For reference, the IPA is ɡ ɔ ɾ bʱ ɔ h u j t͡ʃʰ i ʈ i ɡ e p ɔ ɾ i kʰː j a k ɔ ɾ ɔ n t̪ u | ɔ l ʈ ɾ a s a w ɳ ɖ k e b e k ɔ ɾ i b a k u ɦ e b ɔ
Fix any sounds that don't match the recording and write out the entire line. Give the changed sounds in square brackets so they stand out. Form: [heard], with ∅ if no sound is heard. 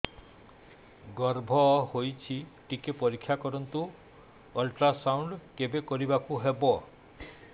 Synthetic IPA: ɡ ɔ ɾ bʱ ɔ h [o] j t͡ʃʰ i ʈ i [k] e p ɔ ɾ i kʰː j a k ɔ ɾ ɔ n t̪ u | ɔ l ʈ ɾ a s a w ɳ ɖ k e b e k ɔ ɾ i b a k u ɦ e b ɔ